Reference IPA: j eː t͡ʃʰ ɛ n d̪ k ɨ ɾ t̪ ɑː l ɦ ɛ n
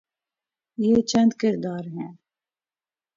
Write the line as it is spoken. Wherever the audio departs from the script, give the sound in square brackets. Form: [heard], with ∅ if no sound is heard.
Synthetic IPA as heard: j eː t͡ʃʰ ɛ n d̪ k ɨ ɾ [d̪] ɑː [ɾ] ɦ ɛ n

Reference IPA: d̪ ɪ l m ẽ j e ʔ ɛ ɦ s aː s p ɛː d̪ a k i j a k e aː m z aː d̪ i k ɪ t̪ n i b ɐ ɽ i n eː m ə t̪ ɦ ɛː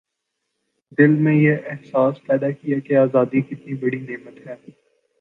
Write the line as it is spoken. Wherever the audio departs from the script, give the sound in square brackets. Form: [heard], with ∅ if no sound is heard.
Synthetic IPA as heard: d̪ ɪ l m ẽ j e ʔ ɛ ɦ s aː s p ɛː d̪ a k i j a k e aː [∅] z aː d̪ i k ɪ t̪ n i b ɐ ɽ i n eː m ə t̪ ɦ ɛː

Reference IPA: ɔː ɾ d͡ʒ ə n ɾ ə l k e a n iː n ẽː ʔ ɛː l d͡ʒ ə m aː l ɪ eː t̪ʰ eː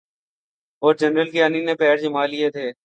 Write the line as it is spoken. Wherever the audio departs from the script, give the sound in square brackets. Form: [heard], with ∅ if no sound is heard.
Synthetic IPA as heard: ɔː ɾ d͡ʒ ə n ɾ ə l k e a n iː n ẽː [p] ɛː [ɾ] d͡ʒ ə m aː l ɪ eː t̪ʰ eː

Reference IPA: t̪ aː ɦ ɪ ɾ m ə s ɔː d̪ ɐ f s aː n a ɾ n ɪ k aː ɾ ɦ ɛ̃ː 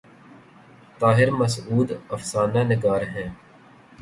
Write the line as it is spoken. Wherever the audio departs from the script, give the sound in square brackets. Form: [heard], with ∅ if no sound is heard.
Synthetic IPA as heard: t̪ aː ɦ ɪ ɾ m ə s [uː] d̪ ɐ f s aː n a [∅] n ɪ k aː ɾ ɦ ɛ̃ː

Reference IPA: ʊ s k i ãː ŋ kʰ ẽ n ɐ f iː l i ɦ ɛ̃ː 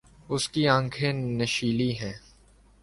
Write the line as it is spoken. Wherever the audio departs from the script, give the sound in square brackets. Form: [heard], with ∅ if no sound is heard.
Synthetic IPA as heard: ʊ s k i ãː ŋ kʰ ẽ n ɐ [ʃ] iː l i ɦ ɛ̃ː

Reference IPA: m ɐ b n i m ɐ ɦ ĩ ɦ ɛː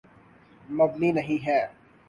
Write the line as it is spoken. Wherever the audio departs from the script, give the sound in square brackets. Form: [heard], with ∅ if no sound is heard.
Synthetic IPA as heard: m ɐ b n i [n] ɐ ɦ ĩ ɦ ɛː

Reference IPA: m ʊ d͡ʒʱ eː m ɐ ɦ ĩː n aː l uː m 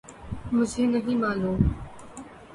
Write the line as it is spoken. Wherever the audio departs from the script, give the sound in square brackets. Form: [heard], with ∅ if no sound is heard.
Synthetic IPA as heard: m ʊ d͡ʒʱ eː [n] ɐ ɦ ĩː [m] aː l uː m

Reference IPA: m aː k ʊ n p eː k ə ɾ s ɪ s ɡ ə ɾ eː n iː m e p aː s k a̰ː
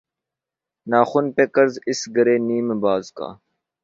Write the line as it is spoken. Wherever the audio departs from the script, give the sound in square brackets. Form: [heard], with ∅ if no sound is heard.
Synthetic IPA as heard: [n] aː [x] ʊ n p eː k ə ɾ [z] ɪ s ɡ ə ɾ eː n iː m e [b] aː [z] k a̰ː

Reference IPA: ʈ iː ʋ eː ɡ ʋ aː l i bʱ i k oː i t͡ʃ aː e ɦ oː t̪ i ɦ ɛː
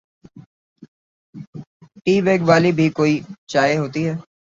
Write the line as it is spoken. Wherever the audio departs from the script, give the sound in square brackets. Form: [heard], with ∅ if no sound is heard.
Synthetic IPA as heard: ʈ iː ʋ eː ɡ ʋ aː l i bʱ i k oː i t͡ʃ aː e ɦ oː t̪ i ɦ ɛː

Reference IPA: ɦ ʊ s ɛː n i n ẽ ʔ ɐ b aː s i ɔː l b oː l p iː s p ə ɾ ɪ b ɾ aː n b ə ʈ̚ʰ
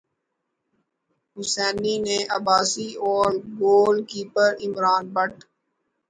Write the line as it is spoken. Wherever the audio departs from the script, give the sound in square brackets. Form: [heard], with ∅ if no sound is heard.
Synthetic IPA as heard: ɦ ʊ s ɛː n i n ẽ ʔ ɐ b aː s i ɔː [ɾ] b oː l [k] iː [∅] p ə ɾ ɪ [m] ɾ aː n b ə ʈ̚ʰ

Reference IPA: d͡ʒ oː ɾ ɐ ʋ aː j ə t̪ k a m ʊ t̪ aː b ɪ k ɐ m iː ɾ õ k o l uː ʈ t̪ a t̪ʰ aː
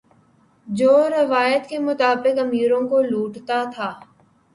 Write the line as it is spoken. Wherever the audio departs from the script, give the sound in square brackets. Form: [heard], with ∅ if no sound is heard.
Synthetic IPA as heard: d͡ʒ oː ɾ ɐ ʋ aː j ə t̪ k [e] m ʊ t̪ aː b ɪ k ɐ m iː ɾ õ k o l uː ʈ t̪ a t̪ʰ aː

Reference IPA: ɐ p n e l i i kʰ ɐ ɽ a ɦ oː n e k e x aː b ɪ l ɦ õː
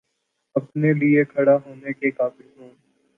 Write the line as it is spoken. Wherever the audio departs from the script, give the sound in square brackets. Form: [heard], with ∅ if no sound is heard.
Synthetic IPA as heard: ɐ p n e l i [e] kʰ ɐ ɽ a ɦ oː n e k e [k] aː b ɪ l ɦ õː

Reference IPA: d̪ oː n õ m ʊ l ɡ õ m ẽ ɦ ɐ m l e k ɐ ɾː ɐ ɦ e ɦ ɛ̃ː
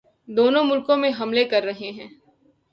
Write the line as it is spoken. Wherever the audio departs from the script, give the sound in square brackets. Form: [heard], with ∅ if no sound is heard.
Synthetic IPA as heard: d̪ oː n õ m ʊ l [k] õ m ẽ ɦ ɐ m l e k ɐ ɾː ɐ ɦ e ɦ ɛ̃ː

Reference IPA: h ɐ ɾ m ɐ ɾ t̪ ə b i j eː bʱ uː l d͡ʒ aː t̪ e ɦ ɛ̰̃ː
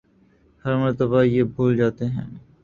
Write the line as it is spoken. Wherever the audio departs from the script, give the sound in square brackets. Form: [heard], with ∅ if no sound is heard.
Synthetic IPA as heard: h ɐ ɾ m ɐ ɾ t̪ ə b [a] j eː bʱ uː l d͡ʒ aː t̪ e ɦ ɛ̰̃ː

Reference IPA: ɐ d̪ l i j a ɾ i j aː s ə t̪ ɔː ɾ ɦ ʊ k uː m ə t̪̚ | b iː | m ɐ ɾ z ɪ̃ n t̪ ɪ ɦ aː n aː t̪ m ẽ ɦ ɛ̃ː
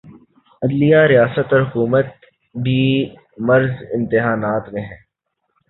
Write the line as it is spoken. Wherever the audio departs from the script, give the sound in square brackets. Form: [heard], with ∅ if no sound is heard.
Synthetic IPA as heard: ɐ d̪ l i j a ɾ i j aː s ə t̪ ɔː ɾ ɦ ʊ k uː m ə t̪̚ | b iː | m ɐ ɾ z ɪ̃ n t̪ ɪ ɦ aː n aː t̪ m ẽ ɦ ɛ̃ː

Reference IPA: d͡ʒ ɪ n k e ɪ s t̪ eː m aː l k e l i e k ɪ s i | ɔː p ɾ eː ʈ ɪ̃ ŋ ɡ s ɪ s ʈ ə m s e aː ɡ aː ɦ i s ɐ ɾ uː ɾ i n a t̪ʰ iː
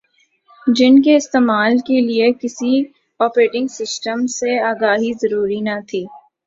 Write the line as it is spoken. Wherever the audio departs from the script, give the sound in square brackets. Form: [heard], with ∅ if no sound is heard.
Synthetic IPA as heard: d͡ʒ ɪ n k e ɪ s t̪ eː m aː l k e l i e k ɪ s i | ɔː p ɾ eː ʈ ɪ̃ ŋ ɡ s ɪ s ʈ ə m s e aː ɡ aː ɦ i [z] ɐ ɾ uː ɾ i n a t̪ʰ iː

